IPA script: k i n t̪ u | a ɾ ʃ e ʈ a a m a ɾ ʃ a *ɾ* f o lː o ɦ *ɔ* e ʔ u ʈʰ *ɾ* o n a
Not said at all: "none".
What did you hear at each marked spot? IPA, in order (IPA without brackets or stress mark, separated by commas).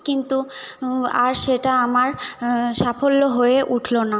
none, o, l